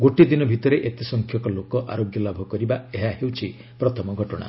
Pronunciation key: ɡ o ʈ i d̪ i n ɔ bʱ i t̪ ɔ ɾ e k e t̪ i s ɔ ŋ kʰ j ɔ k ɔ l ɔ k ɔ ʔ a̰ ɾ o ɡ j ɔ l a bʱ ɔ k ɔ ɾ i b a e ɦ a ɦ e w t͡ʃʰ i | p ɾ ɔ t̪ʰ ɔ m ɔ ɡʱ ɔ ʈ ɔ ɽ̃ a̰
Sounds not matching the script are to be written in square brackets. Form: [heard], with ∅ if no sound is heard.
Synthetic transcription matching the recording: ɡ o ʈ i d̪ i n ɔ bʱ i t̪ ɔ ɾ e [ʔ] e t̪ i s ɔ ŋ kʰ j ɔ k ɔ l [o] k ɔ ʔ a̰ ɾ o ɡ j ɔ l a bʱ ɔ k ɔ ɾ i b a e ɦ a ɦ e w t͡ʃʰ i | p ɾ ɔ t̪ʰ ɔ m ɔ ɡʱ ɔ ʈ ɔ ɽ̃ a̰